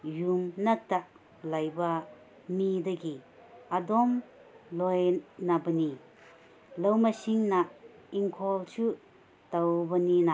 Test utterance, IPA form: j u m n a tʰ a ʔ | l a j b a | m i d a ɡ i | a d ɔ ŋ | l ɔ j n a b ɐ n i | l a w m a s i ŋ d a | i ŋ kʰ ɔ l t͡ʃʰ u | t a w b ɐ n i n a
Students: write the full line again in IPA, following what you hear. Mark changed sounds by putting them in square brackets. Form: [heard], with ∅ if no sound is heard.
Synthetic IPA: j u m n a [t] a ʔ | l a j b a | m i d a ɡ i | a d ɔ [m] | l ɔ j n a b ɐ n i | l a w m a s i ŋ [n] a | i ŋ kʰ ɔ l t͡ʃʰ u | t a w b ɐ n i n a